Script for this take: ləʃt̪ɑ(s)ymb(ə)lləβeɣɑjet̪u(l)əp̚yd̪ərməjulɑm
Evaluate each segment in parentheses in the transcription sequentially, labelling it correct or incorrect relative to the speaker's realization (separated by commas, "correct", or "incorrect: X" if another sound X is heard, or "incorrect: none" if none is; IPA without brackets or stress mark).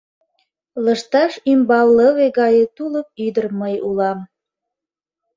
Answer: incorrect: ʃ, incorrect: ɑ, correct